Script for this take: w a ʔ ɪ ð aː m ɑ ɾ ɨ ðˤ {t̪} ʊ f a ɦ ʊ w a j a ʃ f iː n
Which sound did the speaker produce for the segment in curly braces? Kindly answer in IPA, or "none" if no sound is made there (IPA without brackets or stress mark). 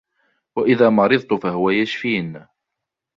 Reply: t̪